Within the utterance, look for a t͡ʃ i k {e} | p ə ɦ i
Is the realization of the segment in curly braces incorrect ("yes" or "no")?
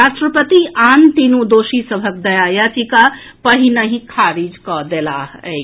yes